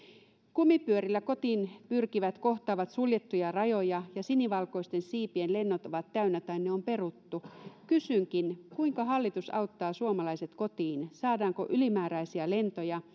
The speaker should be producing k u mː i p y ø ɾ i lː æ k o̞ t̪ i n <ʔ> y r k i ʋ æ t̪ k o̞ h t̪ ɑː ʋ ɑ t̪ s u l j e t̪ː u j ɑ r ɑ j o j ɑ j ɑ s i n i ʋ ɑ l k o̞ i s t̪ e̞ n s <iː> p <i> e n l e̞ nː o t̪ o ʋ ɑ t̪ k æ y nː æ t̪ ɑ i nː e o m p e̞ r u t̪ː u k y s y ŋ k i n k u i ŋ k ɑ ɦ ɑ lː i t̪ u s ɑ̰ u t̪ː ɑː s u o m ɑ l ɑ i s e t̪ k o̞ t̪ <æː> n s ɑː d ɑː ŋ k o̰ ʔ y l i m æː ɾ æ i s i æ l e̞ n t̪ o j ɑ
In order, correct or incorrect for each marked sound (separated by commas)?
incorrect, correct, correct, incorrect